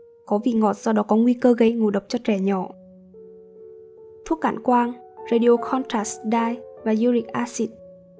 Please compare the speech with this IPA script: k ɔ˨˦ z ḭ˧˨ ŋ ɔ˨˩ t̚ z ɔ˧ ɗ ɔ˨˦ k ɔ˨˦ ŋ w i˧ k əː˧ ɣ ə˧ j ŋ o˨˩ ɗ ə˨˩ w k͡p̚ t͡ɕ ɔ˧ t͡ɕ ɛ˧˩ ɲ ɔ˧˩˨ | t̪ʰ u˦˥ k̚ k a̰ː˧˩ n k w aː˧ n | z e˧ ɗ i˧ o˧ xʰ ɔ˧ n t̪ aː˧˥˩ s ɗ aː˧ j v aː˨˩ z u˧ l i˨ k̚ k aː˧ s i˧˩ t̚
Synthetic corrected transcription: k ɔ˨˦ v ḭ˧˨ ŋ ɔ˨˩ t̚ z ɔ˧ ɗ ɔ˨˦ k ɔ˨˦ ŋ w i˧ k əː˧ ɣ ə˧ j ŋ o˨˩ ɗ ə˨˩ w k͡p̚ t͡ɕ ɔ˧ t͡ɕ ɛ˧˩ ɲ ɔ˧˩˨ | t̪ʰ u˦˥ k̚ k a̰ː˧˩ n k w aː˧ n | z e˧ ɗ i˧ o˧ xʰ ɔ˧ n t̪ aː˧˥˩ s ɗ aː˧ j v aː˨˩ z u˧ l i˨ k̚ ʔ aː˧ s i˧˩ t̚